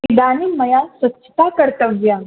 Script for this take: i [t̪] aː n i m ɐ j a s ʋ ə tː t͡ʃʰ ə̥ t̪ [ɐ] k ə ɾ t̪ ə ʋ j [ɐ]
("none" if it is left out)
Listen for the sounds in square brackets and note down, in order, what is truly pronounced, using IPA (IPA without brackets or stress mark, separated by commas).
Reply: d̪, a, a